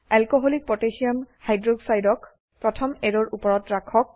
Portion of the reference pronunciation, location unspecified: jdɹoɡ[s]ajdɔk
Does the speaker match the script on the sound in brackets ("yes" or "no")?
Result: yes